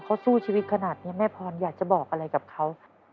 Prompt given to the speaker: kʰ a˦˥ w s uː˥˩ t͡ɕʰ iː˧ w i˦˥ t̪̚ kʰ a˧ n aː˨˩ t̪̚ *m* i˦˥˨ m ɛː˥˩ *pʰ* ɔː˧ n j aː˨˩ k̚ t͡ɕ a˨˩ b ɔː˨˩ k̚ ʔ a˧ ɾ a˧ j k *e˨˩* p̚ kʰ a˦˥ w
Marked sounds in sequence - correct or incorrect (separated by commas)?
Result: incorrect, correct, incorrect